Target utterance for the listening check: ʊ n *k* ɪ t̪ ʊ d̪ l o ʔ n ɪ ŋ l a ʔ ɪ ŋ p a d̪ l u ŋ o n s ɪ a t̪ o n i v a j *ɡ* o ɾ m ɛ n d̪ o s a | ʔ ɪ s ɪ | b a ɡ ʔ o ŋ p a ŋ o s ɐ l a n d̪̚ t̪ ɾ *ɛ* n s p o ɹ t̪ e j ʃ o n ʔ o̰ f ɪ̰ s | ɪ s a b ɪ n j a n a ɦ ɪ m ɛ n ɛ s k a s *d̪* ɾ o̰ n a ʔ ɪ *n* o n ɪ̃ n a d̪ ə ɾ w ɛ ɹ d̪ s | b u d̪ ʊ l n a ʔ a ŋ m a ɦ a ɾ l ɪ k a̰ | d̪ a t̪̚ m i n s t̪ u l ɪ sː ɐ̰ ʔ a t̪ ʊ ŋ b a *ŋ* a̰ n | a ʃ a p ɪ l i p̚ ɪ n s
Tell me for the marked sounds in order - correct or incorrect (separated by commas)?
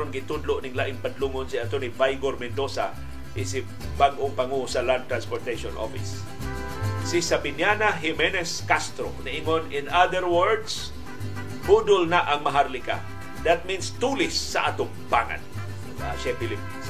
incorrect, correct, incorrect, incorrect, incorrect, correct